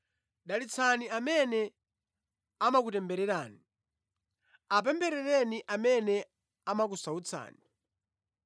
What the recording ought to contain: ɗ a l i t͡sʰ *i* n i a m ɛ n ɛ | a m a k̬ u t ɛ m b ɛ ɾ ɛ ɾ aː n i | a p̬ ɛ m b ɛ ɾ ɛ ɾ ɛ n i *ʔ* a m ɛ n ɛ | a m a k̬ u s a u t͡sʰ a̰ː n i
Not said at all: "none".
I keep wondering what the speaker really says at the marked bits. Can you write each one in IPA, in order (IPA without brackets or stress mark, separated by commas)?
a, ʔ